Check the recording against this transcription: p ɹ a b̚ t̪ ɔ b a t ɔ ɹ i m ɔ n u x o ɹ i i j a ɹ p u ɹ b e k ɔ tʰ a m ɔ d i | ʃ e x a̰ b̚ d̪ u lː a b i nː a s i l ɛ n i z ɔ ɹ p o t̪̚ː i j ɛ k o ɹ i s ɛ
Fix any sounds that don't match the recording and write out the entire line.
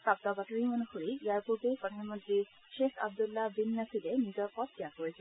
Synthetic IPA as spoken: p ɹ a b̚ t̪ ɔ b a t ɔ ɹ i m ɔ n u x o ɹ i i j a ɹ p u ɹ b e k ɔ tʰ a m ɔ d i | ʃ e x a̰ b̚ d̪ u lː a b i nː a s i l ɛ n i z ɔ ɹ p ɔ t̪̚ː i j a k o ɹ i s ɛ